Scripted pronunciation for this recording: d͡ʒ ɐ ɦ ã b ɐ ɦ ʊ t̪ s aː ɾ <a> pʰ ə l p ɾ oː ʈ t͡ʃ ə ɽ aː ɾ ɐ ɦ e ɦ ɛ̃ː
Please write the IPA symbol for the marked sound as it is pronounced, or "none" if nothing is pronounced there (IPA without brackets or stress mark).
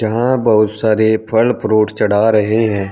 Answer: e